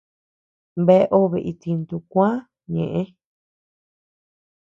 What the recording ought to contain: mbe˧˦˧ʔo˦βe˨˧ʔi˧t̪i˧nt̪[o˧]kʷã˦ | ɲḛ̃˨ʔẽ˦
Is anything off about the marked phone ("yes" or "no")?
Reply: yes